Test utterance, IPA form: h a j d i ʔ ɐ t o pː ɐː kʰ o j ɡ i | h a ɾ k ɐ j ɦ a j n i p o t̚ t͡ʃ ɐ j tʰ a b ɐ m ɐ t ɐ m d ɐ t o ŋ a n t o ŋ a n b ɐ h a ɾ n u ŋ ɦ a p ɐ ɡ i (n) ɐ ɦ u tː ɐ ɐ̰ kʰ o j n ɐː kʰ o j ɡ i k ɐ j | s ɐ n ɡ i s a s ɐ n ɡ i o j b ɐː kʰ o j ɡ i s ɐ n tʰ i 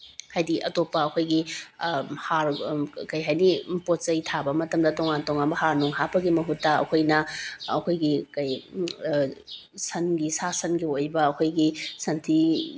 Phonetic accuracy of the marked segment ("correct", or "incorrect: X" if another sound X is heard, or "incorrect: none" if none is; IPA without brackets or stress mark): incorrect: m